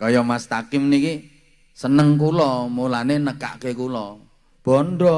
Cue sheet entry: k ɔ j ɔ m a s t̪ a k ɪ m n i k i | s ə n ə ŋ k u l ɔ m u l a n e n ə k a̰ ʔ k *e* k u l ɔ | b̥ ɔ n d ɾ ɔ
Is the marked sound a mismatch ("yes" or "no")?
no